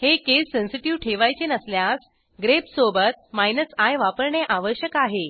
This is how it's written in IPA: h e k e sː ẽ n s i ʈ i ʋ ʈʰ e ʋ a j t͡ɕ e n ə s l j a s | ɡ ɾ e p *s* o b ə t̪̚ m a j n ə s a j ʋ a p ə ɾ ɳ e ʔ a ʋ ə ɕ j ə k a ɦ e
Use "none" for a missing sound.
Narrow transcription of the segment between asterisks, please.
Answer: s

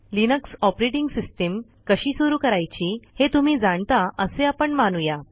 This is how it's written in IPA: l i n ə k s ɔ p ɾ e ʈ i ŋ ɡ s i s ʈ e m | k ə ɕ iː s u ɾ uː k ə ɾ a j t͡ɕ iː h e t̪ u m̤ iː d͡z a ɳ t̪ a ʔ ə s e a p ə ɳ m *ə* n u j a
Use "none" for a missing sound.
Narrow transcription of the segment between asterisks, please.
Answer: a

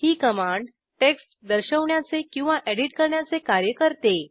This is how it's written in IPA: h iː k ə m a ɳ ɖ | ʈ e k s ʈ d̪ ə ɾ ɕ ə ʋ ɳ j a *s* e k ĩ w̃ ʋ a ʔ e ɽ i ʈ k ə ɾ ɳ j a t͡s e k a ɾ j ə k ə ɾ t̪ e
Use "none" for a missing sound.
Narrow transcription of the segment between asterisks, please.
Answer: t͡s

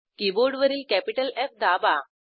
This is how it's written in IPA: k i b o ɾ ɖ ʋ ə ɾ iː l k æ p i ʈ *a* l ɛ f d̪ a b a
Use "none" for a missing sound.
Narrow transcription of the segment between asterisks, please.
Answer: ə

